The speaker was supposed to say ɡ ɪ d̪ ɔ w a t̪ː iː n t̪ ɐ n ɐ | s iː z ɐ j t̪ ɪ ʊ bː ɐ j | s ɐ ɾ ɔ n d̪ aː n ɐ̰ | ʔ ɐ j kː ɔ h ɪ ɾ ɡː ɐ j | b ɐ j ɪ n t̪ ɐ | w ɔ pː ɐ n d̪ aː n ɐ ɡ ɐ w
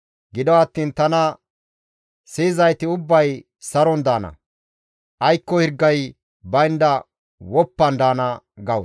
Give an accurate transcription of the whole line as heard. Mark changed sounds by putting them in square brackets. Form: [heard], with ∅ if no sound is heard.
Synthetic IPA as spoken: ɡ ɪ d̪ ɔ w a t̪ː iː n t̪ ɐ n ɐ | s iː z ɐ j t̪ ɪ ʊ bː ɐ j | s ɐ ɾ ɔ n d̪ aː n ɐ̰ | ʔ ɐ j kː ɔ h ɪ ɾ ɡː ɐ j | b ɐ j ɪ n [d̪] ɐ | w ɔ pː ɐ n d̪ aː n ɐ ɡ ɐ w

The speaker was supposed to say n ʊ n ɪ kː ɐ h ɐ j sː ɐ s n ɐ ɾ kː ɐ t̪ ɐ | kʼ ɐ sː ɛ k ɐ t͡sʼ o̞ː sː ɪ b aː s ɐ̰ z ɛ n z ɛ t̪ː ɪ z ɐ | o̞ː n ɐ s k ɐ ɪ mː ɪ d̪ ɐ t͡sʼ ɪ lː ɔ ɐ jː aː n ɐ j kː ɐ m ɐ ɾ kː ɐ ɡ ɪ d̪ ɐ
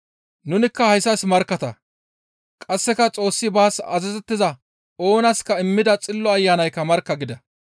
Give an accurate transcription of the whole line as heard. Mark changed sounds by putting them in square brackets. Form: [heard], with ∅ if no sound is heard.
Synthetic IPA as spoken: n ʊ n ɪ kː ɐ h ɐ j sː ɐ s [m] ɐ ɾ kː ɐ t̪ ɐ | kʼ ɐ sː ɛ k ɐ t͡sʼ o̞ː sː ɪ b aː s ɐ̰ z ɛ [∅] z ɛ t̪ː ɪ z ɐ | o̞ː n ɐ s k ɐ ɪ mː ɪ d̪ ɐ t͡sʼ ɪ lː ɔ ɐ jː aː n ɐ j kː ɐ m ɐ ɾ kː ɐ ɡ ɪ d̪ ɐ

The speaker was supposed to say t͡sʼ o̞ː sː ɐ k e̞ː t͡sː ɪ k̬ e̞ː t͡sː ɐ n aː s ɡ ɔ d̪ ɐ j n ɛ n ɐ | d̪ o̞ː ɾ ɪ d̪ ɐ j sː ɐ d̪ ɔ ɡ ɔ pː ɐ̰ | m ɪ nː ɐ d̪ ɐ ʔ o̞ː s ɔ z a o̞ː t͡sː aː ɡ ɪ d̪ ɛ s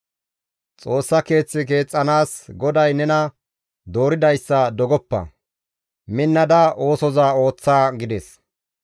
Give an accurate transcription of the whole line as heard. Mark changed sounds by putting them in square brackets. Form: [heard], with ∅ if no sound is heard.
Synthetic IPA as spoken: t͡sʼ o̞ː sː ɐ k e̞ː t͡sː ɪ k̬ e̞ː [t͡sʼː] ɐ n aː s ɡ ɔ d̪ ɐ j n ɛ n ɐ | d̪ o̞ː ɾ ɪ d̪ ɐ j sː ɐ d̪ ɔ ɡ ɔ pː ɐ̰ | m ɪ nː ɐ d̪ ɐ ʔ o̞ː s ɔ z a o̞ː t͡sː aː ɡ ɪ d̪ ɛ s

